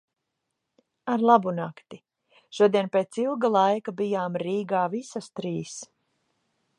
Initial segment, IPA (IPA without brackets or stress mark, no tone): a